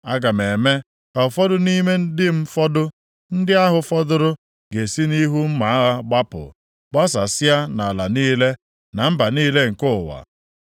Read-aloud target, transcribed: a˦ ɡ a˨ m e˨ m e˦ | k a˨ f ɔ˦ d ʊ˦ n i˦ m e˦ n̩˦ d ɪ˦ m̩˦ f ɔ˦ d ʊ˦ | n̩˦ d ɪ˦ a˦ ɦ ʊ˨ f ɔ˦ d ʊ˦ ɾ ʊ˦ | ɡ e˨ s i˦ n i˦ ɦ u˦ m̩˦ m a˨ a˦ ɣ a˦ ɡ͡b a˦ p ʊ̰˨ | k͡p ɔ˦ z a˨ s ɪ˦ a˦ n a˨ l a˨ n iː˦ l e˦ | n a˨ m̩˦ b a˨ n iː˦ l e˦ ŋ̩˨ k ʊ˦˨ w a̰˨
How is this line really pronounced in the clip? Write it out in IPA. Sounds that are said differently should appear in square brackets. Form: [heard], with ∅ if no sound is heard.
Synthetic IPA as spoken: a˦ ɡ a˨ m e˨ m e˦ | k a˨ f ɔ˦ d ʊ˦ n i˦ m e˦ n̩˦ d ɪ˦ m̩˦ f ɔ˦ d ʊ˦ | n̩˦ d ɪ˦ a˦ ɦ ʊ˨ f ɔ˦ d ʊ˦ ɾ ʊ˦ | ɡ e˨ s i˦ n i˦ ɦ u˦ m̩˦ m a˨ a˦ ɣ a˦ ɡ͡b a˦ p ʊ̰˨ | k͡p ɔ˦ [s] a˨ s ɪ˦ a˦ n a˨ l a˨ n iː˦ l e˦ | n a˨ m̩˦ b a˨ n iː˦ l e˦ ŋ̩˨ k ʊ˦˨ w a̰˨